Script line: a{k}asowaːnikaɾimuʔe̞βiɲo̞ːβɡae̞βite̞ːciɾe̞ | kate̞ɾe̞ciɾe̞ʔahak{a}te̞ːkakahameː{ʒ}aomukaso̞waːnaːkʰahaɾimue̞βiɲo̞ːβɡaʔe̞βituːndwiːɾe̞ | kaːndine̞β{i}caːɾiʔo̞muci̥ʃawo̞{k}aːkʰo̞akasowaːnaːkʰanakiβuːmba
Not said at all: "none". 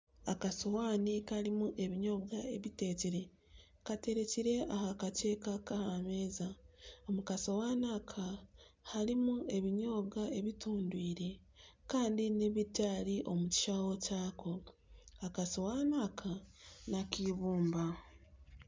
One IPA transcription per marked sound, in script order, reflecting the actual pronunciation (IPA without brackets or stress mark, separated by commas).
k, a, z, i, c